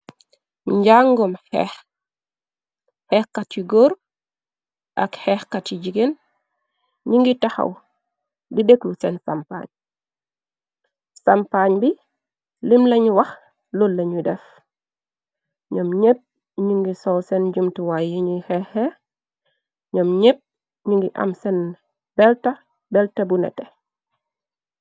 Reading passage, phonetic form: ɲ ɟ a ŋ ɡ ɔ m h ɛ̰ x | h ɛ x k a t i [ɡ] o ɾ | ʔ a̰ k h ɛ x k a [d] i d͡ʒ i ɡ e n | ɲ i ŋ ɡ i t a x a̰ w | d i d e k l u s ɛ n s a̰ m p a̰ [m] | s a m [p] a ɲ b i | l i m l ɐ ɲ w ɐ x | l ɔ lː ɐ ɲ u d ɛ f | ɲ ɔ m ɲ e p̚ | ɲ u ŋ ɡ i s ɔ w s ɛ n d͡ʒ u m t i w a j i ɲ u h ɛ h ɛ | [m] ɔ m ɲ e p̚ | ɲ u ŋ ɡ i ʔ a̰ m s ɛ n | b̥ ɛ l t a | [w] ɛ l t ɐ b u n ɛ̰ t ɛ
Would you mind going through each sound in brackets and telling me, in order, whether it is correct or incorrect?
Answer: correct, incorrect: t, incorrect: ɲ, correct, incorrect: ɲ, incorrect: b

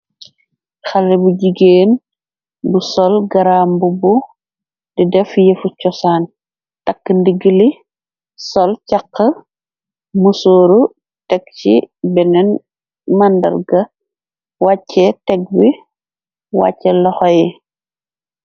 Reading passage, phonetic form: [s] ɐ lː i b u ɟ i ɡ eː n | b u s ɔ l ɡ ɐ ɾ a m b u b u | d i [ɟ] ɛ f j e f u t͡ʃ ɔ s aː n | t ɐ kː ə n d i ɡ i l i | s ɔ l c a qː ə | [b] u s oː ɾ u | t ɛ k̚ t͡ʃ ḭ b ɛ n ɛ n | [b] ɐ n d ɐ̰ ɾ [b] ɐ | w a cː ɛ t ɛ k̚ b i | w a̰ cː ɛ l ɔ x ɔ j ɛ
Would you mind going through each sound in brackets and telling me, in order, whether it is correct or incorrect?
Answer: incorrect: x, incorrect: d, incorrect: m, incorrect: m, incorrect: ɡ

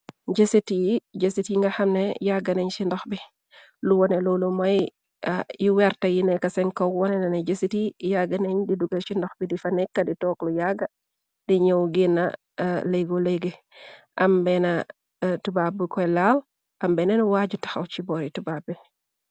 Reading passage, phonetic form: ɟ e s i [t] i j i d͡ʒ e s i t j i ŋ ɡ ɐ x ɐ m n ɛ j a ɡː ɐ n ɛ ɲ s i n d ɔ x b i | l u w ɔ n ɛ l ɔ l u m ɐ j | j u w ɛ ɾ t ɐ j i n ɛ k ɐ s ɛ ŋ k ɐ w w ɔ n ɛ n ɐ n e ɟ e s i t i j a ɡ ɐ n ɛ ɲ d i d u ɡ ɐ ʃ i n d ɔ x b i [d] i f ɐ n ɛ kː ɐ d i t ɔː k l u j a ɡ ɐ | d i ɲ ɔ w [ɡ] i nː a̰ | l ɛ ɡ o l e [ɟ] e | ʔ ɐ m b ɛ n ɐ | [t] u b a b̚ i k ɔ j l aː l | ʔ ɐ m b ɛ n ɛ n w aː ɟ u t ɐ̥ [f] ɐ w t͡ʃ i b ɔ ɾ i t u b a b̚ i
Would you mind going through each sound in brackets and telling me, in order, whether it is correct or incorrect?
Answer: correct, correct, correct, incorrect: ɡ, correct, incorrect: x

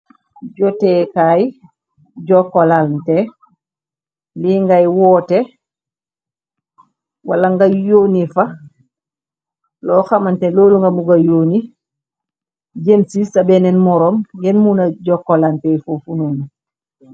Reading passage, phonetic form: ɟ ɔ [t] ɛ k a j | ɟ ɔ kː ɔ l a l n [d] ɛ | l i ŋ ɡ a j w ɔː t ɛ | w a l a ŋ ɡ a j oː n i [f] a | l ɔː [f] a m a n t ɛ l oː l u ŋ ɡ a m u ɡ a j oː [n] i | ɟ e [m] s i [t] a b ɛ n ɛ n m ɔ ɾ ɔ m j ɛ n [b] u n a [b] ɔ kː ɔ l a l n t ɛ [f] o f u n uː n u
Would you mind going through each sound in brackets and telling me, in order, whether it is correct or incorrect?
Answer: correct, incorrect: t, correct, incorrect: x, correct, correct, incorrect: s, incorrect: m, incorrect: ɟ, correct

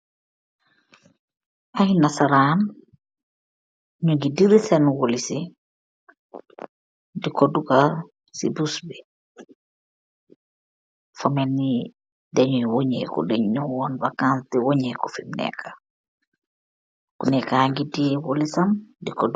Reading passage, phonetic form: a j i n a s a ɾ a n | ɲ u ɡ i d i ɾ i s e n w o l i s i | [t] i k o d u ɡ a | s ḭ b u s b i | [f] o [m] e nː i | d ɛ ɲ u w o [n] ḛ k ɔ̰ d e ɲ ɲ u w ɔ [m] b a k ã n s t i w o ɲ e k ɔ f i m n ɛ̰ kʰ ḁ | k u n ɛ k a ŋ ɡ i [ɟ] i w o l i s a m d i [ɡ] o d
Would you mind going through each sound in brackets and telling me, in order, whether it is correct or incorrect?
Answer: incorrect: d, correct, correct, incorrect: ɲ, incorrect: n, incorrect: d, incorrect: k

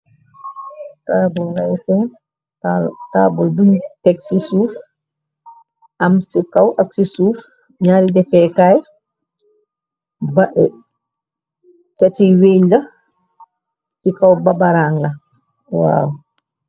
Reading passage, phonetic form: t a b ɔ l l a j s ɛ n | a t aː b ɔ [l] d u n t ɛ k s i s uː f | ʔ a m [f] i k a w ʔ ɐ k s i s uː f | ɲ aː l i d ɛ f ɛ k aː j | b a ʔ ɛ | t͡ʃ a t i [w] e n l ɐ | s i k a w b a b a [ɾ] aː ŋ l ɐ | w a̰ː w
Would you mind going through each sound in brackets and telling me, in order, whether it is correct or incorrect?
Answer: correct, incorrect: s, correct, correct

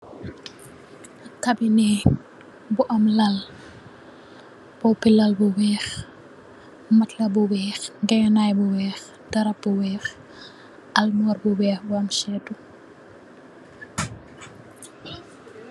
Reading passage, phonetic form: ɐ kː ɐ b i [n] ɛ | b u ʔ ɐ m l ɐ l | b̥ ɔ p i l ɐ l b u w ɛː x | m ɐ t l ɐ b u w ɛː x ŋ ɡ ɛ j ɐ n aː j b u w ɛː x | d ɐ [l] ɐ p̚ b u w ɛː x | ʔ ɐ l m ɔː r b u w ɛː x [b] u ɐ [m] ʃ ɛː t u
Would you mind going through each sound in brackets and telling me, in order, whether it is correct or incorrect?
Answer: correct, incorrect: ɾ, correct, correct

